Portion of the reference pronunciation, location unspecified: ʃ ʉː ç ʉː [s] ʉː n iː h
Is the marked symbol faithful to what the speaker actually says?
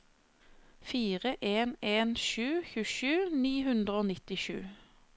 no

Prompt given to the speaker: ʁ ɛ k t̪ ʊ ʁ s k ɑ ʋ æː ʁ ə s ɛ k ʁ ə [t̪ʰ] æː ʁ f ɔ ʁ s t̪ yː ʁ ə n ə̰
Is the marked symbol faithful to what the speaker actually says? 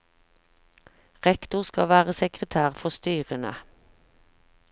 yes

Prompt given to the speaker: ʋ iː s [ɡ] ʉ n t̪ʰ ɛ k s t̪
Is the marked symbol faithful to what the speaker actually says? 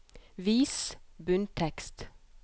no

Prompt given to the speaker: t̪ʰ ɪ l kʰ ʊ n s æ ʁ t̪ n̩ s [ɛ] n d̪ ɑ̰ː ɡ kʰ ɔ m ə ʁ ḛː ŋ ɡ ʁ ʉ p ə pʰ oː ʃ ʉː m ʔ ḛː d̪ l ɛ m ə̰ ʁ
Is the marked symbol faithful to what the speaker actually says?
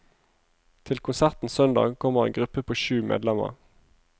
no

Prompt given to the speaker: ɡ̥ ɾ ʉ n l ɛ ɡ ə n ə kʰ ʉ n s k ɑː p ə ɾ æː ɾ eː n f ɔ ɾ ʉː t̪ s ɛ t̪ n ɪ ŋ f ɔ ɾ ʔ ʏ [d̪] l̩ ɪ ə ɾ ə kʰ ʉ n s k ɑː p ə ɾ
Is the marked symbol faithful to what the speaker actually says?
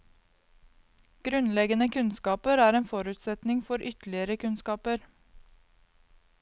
no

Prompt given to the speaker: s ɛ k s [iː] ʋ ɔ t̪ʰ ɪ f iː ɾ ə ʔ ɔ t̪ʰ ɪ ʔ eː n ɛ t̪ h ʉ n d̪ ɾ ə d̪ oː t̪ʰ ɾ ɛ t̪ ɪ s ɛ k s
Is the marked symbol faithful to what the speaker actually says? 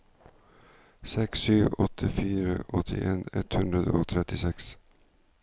no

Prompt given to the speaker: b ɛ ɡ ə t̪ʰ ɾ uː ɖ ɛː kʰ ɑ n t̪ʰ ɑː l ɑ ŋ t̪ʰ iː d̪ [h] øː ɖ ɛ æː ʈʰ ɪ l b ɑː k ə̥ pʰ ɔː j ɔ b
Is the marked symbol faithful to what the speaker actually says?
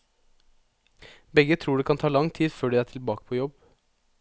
no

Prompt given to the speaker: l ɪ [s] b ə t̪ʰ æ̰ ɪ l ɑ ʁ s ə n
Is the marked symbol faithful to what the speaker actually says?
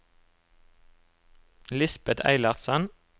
yes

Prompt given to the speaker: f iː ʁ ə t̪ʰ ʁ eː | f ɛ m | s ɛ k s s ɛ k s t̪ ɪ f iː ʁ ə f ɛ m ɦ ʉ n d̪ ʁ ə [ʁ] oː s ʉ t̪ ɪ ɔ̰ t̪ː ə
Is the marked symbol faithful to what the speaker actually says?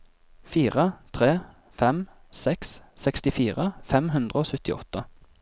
no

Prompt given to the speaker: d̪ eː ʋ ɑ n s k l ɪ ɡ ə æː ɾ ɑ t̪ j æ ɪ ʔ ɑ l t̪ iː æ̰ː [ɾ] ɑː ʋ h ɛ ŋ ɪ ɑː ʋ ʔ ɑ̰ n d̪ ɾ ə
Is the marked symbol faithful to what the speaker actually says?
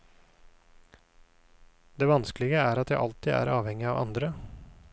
yes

